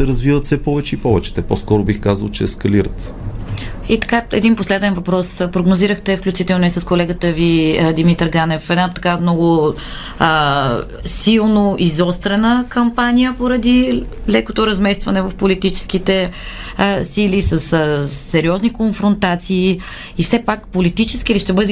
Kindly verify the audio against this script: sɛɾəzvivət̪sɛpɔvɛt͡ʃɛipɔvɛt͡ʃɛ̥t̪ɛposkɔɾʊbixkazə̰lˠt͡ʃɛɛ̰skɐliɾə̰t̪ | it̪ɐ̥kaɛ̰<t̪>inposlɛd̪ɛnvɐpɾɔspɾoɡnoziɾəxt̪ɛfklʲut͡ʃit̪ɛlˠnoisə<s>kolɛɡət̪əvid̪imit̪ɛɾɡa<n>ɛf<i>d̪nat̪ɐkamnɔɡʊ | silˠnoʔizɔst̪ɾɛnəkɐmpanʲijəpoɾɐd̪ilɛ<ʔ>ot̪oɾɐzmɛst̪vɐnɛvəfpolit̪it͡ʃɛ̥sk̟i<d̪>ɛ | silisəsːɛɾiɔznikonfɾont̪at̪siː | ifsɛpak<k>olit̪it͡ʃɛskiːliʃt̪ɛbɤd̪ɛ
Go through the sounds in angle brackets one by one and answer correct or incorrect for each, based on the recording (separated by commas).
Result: incorrect, correct, correct, incorrect, incorrect, incorrect, incorrect